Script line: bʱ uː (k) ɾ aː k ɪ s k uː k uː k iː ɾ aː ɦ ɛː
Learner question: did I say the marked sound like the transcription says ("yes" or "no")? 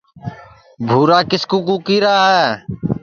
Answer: no